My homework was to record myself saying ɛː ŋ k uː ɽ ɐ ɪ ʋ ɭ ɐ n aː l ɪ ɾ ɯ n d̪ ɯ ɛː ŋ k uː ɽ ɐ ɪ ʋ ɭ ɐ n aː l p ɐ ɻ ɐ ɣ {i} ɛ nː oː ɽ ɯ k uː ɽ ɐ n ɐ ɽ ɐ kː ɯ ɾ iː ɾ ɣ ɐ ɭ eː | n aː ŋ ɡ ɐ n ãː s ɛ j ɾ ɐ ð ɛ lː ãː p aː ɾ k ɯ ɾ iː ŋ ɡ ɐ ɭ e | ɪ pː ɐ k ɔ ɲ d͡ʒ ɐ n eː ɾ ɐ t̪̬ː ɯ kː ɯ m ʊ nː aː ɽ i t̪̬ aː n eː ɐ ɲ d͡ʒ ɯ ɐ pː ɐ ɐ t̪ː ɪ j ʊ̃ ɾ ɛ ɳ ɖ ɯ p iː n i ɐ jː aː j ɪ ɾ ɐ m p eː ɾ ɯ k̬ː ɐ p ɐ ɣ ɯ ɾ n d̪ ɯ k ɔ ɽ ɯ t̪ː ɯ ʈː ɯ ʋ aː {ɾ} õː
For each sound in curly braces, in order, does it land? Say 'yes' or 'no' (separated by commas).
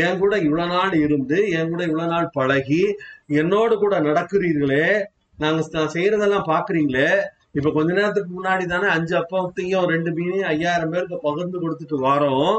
yes, yes